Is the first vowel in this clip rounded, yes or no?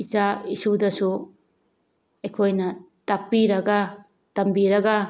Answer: no